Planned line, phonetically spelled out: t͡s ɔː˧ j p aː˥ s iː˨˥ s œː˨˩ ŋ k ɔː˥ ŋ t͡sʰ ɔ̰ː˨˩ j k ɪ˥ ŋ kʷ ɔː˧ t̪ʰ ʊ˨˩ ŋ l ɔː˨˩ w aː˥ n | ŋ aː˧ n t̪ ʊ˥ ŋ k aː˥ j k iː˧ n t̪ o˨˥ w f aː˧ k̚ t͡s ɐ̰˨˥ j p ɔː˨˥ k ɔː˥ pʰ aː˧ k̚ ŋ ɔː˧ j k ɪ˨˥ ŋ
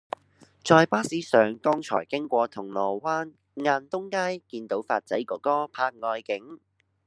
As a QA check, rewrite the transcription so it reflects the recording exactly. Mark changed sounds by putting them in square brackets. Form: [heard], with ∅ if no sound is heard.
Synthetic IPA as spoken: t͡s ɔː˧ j p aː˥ s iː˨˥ s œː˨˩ ŋ k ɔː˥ ŋ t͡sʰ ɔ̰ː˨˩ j k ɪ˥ ŋ kʷ ɔː˧ t̪ʰ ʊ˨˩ ŋ l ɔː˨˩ w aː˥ n | ŋ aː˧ n t̪ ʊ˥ ŋ k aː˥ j k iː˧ n t̪ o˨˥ w f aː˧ [t̚] t͡s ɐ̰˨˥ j [k] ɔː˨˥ k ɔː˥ pʰ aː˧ k̚ ŋ ɔː˧ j k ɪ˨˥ ŋ